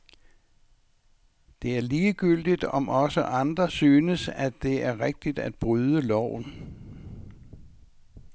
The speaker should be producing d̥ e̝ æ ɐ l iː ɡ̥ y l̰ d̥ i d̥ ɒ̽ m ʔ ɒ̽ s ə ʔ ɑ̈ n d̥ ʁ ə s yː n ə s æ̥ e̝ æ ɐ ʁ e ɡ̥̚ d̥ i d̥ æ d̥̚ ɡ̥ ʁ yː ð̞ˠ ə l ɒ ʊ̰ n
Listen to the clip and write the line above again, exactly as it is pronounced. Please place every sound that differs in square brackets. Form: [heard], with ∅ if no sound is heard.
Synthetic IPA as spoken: d̥ e̝ æ ɐ l iː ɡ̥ y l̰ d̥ i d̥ ɒ̽ m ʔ ɒ̽ s ə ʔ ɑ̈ n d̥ ʁ [ɐ] s yː n ə s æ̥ e̝ æ ɐ ʁ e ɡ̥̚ d̥ i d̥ æ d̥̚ [b̥] ʁ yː ð̞ˠ ə l ɒ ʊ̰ n